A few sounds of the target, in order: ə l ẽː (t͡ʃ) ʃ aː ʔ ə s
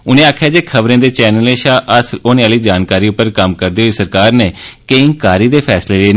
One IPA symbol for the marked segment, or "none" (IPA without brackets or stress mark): none